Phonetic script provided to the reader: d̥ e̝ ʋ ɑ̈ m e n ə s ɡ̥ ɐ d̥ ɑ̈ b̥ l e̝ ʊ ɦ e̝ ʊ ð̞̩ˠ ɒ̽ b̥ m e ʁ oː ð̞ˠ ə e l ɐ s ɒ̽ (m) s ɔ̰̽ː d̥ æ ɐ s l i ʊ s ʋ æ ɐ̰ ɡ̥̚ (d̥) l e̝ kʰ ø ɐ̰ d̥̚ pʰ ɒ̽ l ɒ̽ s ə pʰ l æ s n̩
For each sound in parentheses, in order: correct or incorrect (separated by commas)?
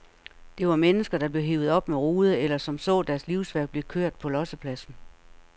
correct, incorrect